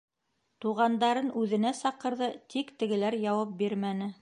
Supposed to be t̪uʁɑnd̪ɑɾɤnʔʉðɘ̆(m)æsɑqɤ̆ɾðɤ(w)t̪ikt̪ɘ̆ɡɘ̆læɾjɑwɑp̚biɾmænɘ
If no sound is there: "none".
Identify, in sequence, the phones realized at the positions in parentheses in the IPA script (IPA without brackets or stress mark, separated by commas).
n, none